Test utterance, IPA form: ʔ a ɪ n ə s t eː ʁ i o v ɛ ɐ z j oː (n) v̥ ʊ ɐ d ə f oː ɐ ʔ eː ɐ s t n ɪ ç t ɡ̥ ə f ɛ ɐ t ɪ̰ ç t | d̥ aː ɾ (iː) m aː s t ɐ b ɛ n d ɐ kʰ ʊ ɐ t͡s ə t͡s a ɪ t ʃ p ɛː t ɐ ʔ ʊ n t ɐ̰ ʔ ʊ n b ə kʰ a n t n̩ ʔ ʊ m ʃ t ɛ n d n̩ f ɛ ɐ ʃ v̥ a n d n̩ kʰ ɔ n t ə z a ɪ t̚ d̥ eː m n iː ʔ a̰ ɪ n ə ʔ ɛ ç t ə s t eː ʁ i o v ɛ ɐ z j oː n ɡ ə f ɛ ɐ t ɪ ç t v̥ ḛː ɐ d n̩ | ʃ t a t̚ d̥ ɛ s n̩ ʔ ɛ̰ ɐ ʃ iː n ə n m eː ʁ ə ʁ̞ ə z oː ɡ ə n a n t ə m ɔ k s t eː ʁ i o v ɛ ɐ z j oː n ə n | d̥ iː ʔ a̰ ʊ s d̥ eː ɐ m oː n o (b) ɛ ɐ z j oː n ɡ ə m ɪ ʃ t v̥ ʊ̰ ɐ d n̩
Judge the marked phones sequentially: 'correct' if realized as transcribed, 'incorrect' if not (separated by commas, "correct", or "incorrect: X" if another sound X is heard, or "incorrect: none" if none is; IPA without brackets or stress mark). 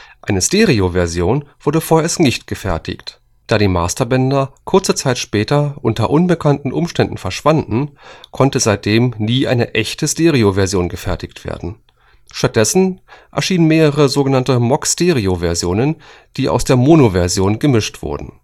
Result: correct, correct, incorrect: v